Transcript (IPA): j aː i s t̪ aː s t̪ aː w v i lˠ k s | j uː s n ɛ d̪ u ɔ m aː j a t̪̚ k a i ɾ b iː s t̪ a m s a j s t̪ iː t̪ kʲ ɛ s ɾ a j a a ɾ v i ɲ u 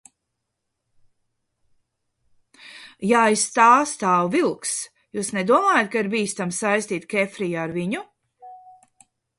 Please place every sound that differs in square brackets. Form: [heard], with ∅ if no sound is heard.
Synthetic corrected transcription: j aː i s t̪ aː s t̪ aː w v i lˠ k s | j uː s n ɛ d̪ u ɔ m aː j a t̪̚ k a i ɾ b iː s t̪ a m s a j s t̪ iː t̪ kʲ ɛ [f] ɾ [i] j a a ɾ v i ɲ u